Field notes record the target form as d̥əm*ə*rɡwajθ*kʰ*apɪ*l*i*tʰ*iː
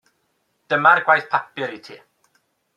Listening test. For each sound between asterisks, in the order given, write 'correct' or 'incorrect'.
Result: incorrect: a, incorrect: pʰ, incorrect: ɾ, correct

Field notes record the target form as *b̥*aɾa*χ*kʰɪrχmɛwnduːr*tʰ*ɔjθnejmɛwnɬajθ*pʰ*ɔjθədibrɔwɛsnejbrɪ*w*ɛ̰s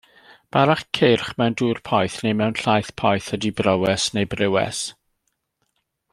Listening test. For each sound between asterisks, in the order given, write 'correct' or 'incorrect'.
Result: correct, correct, incorrect: pʰ, correct, correct

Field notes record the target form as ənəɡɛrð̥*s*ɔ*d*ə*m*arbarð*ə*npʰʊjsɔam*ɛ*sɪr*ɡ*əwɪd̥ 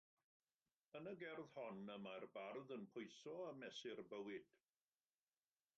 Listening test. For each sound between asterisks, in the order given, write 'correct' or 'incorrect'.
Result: incorrect: h, incorrect: n, correct, correct, correct, incorrect: b

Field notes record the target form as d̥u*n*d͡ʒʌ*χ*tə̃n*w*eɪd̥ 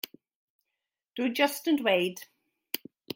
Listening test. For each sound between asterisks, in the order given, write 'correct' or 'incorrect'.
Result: incorrect: none, incorrect: s, correct

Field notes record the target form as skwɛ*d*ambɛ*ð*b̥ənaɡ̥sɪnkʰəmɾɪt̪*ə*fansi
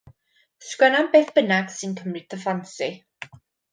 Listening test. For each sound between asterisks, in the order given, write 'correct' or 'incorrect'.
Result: incorrect: n, incorrect: θ, correct

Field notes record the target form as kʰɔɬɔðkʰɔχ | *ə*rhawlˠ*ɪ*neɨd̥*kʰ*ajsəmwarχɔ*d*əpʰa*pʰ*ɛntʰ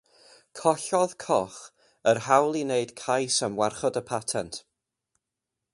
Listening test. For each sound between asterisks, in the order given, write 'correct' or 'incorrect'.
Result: correct, incorrect: i, correct, correct, incorrect: tʰ

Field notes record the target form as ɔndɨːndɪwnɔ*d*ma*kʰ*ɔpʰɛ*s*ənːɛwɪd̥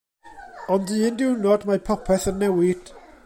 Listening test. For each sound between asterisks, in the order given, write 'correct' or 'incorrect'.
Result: correct, incorrect: pʰ, incorrect: θ

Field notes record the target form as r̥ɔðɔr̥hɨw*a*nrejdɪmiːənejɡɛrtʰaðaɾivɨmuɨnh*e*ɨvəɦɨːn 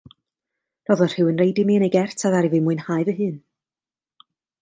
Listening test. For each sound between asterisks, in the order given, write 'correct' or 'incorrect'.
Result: incorrect: ə, incorrect: a

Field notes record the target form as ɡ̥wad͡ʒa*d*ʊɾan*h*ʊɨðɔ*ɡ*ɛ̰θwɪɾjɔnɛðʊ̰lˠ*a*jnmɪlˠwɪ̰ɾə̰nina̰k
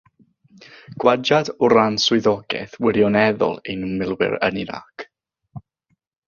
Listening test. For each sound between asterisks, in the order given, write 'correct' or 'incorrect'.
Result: correct, incorrect: s, correct, incorrect: e

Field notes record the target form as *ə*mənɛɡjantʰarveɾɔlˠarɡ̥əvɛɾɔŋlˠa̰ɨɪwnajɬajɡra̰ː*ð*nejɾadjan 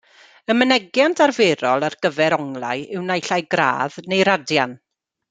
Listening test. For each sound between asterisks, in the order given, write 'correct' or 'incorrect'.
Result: correct, correct

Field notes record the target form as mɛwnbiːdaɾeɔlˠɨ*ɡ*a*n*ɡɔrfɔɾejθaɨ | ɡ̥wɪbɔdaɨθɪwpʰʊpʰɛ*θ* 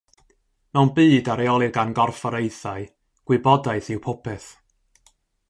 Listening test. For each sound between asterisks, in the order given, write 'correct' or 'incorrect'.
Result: correct, correct, correct

